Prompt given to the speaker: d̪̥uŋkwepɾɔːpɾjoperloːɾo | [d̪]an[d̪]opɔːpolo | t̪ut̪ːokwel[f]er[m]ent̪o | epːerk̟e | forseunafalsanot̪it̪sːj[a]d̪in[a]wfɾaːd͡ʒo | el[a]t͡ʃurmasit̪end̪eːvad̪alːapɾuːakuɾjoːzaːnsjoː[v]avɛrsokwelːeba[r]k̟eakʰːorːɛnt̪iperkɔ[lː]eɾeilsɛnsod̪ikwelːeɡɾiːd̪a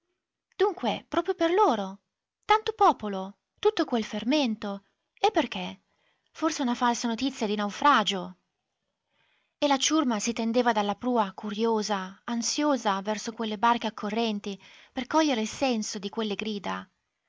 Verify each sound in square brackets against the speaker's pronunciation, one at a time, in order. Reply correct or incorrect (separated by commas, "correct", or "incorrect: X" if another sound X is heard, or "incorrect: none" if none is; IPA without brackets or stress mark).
incorrect: t̪, incorrect: t̪, correct, correct, correct, correct, correct, incorrect: z, correct, incorrect: ʎː